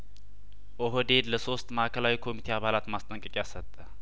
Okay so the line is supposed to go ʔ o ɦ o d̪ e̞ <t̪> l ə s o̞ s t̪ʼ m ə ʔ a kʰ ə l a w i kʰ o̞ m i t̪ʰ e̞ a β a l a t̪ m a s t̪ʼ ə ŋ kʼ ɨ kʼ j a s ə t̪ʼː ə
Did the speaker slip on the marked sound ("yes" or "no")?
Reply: yes